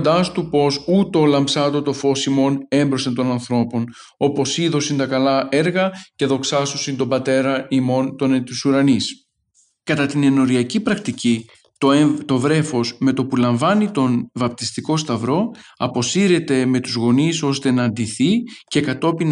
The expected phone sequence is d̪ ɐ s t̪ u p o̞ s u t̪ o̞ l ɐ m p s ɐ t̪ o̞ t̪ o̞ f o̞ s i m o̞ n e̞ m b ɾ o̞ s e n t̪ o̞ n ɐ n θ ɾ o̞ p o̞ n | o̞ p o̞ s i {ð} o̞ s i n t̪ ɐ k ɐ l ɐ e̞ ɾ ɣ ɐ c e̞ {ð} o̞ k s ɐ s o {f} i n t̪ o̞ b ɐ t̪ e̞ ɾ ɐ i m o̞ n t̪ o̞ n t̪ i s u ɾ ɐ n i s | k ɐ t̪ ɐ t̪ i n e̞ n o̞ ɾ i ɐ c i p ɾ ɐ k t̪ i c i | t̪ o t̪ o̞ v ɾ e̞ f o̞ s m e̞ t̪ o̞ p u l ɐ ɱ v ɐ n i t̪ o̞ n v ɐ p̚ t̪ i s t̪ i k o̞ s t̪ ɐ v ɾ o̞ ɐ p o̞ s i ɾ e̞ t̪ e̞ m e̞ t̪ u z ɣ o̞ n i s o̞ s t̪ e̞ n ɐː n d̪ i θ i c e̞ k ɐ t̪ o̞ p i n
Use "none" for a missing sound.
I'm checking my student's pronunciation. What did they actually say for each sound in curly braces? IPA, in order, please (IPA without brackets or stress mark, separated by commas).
ð, ð, s